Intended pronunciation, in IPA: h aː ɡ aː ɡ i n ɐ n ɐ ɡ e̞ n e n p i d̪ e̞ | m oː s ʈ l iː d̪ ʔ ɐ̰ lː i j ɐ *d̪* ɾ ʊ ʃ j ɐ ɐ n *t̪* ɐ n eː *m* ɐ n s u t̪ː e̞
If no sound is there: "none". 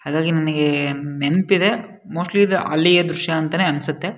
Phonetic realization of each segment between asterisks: d̪, t̪, none

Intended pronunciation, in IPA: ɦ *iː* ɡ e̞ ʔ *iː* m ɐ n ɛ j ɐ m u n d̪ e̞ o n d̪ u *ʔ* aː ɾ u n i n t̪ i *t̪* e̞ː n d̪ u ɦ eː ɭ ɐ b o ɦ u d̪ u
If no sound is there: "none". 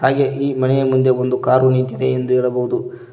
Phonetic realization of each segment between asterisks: aː, iː, k, d̪

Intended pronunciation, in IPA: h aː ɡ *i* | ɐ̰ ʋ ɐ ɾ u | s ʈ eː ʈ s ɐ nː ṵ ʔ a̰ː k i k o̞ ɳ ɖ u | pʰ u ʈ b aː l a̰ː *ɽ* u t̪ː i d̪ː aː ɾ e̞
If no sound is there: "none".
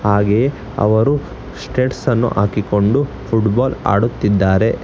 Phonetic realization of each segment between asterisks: e, ɽ

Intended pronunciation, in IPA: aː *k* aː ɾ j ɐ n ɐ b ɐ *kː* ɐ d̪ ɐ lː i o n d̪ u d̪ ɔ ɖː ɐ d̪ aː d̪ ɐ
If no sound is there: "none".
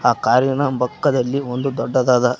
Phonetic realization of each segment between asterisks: k, kː

